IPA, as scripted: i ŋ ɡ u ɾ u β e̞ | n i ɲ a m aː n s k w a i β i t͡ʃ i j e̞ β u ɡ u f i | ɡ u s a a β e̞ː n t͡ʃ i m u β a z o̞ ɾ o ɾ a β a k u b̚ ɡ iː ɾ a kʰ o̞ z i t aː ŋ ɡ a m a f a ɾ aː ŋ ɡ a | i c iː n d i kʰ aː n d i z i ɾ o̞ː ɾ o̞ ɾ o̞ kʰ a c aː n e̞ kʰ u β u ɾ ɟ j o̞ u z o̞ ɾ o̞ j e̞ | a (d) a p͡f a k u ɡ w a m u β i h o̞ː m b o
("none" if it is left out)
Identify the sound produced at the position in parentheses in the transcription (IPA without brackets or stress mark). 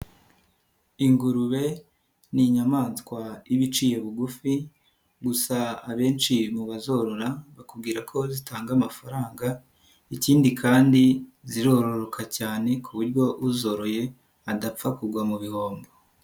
d